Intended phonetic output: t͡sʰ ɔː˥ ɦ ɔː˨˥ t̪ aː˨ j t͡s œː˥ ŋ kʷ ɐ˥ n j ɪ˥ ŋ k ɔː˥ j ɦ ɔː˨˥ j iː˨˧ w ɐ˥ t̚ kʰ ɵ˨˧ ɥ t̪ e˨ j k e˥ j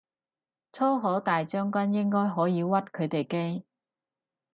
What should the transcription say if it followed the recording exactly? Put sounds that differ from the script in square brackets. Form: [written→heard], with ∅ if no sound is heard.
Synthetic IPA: t͡sʰ ɔː˥ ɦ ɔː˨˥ t̪ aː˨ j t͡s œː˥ ŋ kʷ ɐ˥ n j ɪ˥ ŋ k ɔː˥ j ɦ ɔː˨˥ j iː˨˧ w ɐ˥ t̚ kʰ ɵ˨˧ ɥ t̪ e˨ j k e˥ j